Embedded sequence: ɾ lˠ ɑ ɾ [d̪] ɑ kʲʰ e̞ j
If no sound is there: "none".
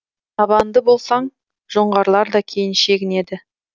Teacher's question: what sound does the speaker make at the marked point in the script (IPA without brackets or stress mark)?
d̪